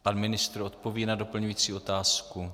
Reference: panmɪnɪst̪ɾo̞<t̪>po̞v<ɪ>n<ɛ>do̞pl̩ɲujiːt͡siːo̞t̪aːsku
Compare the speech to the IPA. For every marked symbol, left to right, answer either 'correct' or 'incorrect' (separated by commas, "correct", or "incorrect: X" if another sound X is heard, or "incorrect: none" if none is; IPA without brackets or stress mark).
correct, incorrect: i, incorrect: a